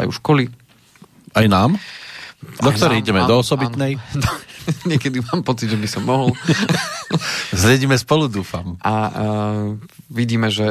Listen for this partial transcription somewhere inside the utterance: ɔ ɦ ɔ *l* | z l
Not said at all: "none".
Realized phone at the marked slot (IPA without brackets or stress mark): l